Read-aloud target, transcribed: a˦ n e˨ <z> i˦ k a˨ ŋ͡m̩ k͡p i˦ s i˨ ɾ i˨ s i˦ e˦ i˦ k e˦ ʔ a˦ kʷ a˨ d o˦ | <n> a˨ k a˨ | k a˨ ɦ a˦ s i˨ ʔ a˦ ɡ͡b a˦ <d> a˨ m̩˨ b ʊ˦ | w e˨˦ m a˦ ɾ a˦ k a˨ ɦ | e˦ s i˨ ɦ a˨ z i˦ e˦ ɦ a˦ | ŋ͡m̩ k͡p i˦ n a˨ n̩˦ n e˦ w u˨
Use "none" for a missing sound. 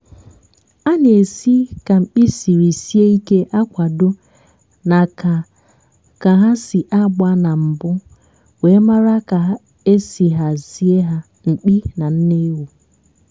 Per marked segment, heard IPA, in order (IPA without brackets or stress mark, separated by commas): s, n, n